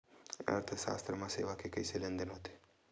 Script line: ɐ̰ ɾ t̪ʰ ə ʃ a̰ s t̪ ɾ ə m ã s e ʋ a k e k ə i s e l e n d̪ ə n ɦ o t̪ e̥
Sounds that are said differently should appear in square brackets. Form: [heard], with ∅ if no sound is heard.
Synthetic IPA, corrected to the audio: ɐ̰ ɾ t̪ʰ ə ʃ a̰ s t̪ ɾ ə m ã s e ʋ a k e k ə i s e l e n d̪ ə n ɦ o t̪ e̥